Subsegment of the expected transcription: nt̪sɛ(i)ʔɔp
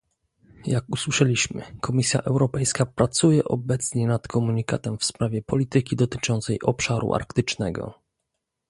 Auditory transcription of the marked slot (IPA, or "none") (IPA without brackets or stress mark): j